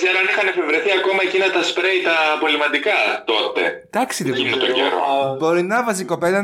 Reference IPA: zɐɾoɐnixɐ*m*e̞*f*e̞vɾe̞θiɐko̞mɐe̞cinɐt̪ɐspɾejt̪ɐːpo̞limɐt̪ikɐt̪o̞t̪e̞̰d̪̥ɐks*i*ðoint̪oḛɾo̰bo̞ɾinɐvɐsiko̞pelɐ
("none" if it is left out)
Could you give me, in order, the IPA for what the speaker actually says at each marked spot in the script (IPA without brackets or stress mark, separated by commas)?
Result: n, f, i